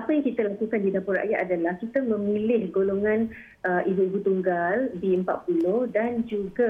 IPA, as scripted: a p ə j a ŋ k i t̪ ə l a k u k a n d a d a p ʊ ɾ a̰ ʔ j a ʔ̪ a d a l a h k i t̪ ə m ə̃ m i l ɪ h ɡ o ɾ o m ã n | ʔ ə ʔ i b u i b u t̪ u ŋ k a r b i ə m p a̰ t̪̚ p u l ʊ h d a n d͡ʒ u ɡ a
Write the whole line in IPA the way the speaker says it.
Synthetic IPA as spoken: a p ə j a ŋ k i t̪ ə l a k u k a n d i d a p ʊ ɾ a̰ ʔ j a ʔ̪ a d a l a h k i t̪ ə m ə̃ m i l ɪ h ɡ o l o ŋ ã n | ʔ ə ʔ i b u i b u t̪ u ŋ ɡ a l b i ə m p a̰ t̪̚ p u l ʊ h d a n d͡ʒ u ɡ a